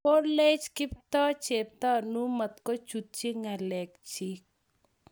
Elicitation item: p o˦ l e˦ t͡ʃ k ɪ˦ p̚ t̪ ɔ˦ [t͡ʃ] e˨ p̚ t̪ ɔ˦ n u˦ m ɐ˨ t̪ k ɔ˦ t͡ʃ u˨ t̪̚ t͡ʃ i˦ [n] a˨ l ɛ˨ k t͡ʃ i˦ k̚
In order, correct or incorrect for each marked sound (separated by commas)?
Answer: correct, incorrect